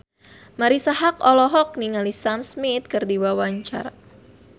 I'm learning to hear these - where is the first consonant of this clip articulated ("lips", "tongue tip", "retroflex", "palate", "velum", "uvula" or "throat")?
lips